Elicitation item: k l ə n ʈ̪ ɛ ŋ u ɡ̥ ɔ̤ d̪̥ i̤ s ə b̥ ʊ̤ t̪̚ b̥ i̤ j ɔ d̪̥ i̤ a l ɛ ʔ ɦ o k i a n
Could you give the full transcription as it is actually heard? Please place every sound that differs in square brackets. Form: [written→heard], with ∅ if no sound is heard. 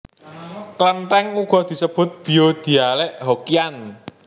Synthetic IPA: k l ə n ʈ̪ ɛ ŋ u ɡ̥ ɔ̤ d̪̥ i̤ s ə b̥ ʊ̤ t̪̚ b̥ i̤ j [ɔ→o] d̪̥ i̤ a l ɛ ʔ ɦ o k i a n